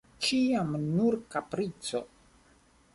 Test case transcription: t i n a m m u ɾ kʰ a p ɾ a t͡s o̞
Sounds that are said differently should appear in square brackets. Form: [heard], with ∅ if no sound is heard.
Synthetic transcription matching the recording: [t͡ʃ] i [∅] a m [n] u ɾ [k] a p ɾ [i] t͡s o̞